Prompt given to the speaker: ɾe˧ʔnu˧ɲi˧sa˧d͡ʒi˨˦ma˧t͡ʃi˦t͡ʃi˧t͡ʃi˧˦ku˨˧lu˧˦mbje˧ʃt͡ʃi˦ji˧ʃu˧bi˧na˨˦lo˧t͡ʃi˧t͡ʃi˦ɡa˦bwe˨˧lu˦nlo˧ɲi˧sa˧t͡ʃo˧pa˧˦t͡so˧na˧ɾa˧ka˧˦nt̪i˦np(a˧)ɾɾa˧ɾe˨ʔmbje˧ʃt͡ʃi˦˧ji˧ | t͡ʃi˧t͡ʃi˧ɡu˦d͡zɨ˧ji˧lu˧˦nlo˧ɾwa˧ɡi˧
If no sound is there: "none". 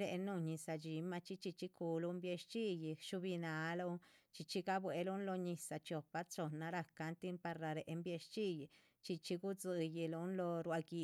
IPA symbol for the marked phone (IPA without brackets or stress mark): a˧